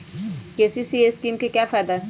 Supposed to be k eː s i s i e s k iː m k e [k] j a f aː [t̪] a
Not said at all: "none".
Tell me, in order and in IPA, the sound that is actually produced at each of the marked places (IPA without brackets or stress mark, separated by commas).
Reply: k, d̪